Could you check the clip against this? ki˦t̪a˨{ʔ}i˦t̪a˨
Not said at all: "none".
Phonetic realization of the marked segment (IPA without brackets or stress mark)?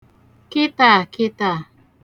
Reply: k